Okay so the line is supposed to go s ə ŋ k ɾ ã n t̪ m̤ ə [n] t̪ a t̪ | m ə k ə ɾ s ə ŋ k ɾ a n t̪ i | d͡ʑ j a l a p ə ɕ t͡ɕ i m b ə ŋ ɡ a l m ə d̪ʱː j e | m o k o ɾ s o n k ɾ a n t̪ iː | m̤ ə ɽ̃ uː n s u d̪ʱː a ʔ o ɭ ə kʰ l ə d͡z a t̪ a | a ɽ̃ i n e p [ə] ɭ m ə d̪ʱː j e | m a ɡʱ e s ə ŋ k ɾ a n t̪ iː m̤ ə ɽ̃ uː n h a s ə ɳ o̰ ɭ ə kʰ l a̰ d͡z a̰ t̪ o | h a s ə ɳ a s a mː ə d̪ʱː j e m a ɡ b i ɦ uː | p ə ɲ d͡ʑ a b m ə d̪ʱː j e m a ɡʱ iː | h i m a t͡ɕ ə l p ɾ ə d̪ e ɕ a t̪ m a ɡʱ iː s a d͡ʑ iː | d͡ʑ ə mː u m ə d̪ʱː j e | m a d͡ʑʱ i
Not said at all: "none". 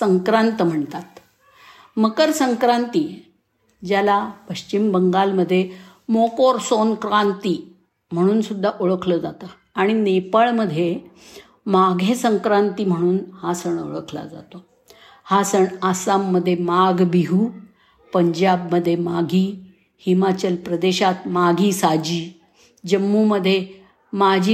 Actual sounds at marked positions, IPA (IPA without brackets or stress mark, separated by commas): ɳ, ə